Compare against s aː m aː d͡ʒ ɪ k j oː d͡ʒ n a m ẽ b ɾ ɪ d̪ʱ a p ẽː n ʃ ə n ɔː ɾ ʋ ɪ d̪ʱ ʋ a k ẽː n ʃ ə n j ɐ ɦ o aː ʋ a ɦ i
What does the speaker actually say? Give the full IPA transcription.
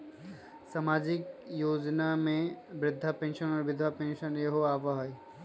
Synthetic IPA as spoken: s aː m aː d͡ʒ ɪ k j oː d͡ʒ n a m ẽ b ɾ ɪ d̪ʱː a p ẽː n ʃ ə n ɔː ɾ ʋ ɪ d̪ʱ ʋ a p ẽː n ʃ ə n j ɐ ɦ o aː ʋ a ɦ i